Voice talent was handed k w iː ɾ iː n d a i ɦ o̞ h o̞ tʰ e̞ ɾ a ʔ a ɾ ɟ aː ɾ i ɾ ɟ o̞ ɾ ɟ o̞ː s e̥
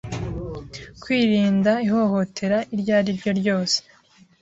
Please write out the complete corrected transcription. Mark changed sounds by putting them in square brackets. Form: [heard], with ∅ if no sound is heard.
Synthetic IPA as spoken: k w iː ɾ iː n d a i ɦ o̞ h o̞ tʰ e̞ ɾ a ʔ [i] ɾ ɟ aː ɾ i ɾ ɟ o̞ ɾ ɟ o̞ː s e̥

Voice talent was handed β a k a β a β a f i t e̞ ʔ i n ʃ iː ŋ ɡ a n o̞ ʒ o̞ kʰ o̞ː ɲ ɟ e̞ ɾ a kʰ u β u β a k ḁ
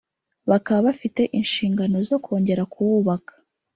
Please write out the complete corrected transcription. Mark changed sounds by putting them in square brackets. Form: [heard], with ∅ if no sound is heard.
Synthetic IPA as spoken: β a k a β a β a f i t e̞ ʔ i n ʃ iː ŋ ɡ a n o̞ [z] o̞ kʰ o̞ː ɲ ɟ e̞ ɾ a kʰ u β u β a k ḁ

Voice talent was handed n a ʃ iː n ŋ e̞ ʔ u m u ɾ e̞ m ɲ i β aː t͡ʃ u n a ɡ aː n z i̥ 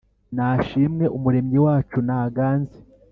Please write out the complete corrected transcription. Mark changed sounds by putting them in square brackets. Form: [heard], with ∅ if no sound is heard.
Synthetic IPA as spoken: n a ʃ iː [m] ŋ e̞ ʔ u m u ɾ e̞ m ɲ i [w] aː t͡ʃ u n a ɡ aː n z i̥

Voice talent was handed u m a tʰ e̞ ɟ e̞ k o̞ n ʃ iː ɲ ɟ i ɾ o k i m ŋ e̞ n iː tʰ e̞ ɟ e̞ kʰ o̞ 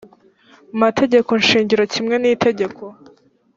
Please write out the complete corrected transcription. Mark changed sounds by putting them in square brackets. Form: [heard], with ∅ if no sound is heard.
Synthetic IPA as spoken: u m a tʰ e̞ ɟ e̞ k o̞ n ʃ iː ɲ ɟ i ɾ o [c] i m ŋ e̞ n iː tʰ e̞ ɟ e̞ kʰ o̞

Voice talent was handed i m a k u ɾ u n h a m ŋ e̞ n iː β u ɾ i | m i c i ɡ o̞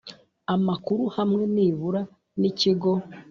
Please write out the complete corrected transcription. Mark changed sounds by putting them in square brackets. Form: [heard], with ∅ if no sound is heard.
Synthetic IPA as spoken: [a] m a k u ɾ u [∅] h a m ŋ e̞ n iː β u ɾ [a] | [n] i c i ɡ o̞

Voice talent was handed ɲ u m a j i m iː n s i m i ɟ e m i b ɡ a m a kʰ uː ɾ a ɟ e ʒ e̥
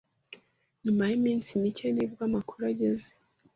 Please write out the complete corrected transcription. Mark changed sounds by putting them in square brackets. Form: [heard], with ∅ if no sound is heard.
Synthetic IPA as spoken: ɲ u m a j i m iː n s i m i [c] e [n] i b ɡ a m a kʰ [u] ɾ a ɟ e [z] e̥

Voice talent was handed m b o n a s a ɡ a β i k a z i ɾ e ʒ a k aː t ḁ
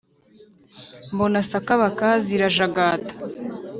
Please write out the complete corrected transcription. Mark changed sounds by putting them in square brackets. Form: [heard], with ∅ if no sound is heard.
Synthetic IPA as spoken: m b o n a s a [k] a β [a] k a z i ɾ [a] ʒ a [ɡ] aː t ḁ

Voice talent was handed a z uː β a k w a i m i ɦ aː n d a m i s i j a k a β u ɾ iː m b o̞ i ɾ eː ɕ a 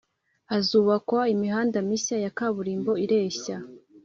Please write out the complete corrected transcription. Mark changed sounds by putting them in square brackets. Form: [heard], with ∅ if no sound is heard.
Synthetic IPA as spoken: a z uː β a k w a i m i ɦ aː n d a m i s [a] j a k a β u ɾ iː m b o̞ i ɾ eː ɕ a

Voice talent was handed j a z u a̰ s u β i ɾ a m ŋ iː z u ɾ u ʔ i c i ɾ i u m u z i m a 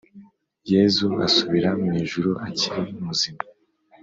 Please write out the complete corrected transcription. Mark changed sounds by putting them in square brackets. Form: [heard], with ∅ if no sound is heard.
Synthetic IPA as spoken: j [e] z u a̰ s u β i ɾ a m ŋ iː [ʒ] u ɾ u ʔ [a] c i ɾ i u m u z i m a

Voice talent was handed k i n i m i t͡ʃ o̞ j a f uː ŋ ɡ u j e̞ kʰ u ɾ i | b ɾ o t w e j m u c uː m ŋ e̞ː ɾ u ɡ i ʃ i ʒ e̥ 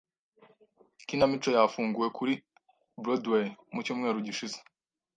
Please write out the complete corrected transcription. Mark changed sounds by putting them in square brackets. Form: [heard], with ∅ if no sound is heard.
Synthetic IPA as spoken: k i n [a] m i t͡ʃ o̞ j a f uː ŋ ɡ u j e̞ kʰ u ɾ i | b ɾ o [d] w e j m u c uː m ŋ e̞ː ɾ u [ɟ] i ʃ i [z] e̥

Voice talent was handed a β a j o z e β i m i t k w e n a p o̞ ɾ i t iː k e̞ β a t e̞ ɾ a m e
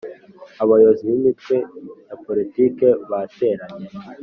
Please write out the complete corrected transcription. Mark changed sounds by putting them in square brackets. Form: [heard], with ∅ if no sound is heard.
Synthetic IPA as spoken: a β a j o z [i] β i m i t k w e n a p o̞ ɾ i t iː k e̞ β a t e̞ ɾ a [ɲ] e

